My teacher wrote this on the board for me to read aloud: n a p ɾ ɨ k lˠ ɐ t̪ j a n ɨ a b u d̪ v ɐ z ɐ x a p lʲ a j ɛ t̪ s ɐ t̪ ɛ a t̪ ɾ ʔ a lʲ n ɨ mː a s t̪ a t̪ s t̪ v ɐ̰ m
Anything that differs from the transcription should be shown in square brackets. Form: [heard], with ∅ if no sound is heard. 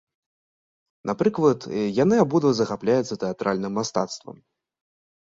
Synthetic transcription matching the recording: n a p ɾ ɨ k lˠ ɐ t̪ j a n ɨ a b u d̪ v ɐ z ɐ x a p lʲ a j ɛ t̪ s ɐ t̪ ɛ a t̪ ɾ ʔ a lʲ n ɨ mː a s t̪ a t̪ s t̪ v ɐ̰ m